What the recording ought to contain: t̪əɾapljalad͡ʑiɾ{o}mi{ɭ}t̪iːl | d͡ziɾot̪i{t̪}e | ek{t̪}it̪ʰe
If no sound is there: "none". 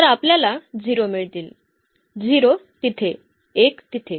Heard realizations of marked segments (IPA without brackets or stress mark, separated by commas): o, ɭ, t̪ʰ, t̪